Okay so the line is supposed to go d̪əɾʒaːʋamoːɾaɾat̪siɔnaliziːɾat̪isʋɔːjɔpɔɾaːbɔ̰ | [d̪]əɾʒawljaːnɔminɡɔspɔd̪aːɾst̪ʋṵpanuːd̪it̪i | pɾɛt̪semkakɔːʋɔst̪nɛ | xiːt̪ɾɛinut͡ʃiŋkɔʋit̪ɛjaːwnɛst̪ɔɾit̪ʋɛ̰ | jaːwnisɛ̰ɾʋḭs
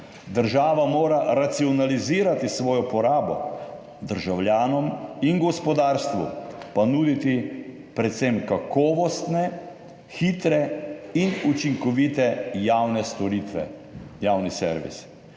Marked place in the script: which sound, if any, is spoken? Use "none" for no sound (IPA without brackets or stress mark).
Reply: d̪